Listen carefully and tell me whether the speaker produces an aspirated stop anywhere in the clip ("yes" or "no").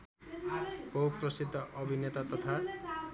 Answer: yes